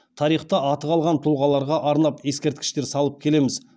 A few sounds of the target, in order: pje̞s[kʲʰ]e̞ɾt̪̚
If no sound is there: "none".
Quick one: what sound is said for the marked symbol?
kʲ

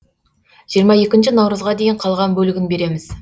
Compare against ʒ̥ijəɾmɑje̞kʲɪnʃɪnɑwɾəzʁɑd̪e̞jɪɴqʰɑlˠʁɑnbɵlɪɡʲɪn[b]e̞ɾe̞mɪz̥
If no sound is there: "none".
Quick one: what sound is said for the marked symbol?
b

